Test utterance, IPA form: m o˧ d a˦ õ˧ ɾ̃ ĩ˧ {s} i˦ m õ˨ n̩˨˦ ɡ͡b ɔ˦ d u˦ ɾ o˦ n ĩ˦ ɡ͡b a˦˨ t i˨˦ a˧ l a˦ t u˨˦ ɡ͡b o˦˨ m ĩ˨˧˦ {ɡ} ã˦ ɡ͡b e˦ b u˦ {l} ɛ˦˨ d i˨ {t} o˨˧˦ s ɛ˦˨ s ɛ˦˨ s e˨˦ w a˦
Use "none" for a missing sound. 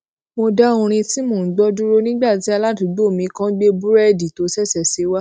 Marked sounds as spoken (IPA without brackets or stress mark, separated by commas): t, k, ɾ, t